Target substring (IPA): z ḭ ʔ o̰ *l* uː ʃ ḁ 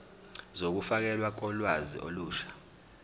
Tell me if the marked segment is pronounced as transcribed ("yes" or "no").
yes